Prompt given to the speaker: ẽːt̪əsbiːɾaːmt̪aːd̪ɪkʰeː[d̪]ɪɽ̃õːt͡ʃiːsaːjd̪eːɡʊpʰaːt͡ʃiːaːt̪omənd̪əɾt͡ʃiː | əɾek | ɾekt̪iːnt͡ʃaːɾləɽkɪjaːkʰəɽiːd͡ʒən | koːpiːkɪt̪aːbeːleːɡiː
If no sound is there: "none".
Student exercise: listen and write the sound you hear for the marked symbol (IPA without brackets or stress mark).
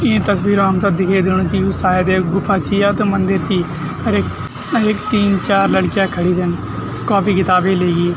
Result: d̪